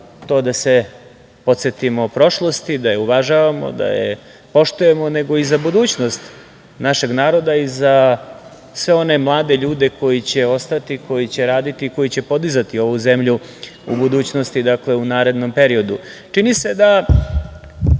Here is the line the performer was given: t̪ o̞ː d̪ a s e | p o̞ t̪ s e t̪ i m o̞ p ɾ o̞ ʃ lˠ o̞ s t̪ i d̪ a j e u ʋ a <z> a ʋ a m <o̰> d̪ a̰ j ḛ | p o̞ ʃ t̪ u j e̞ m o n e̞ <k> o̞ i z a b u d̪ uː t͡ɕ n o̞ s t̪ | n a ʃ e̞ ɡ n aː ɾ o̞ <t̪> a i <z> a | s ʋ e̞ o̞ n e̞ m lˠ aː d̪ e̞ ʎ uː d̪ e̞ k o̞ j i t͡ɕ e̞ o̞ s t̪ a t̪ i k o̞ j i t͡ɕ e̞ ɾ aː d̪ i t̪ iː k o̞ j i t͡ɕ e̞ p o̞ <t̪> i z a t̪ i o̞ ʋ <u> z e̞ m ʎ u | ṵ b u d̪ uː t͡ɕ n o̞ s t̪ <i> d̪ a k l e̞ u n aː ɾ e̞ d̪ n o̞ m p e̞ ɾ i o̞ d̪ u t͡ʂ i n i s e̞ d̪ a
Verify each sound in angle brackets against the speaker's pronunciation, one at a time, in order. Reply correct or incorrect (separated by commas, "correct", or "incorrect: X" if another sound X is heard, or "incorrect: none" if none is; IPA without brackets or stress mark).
incorrect: ʒ, correct, incorrect: ɡ, incorrect: d̪, correct, incorrect: d̪, correct, correct